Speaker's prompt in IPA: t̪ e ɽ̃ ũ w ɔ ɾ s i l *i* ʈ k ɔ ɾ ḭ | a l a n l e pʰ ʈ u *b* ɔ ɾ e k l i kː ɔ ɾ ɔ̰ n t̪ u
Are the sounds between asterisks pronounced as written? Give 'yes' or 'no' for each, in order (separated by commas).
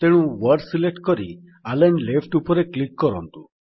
no, no